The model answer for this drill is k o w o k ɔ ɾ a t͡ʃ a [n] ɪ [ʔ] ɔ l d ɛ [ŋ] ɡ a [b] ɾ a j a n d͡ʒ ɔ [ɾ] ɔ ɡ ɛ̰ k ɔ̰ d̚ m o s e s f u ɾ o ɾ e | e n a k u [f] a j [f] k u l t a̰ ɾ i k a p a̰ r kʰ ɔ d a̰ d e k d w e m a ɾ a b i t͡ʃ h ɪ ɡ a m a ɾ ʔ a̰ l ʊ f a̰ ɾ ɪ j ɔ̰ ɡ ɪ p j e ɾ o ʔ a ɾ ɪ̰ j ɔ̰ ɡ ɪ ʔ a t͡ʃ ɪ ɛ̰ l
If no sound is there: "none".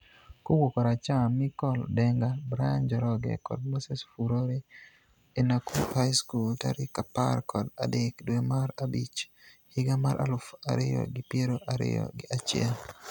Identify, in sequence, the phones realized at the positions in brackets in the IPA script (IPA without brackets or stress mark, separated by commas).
m, k, ŋ, b, ɾ, h, s